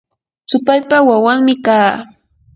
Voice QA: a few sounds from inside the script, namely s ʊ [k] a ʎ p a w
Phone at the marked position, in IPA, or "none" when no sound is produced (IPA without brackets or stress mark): p